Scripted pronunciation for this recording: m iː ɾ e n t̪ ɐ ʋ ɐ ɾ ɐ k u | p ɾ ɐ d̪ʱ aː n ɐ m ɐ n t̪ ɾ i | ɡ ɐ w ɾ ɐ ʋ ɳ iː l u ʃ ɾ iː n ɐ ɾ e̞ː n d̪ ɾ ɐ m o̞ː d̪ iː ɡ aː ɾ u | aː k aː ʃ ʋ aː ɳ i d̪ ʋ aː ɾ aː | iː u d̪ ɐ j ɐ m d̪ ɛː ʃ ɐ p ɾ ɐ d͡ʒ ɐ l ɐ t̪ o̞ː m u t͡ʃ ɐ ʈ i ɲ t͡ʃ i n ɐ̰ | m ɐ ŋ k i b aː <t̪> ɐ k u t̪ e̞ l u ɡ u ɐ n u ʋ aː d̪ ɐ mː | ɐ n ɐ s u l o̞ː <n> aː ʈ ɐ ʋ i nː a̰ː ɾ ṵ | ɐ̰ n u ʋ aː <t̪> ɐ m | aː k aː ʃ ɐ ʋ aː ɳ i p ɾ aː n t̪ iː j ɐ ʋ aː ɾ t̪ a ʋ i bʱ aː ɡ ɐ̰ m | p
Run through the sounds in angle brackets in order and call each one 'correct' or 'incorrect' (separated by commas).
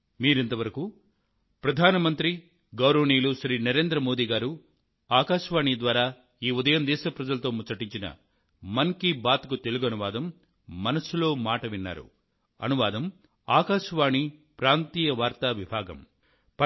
correct, incorrect, incorrect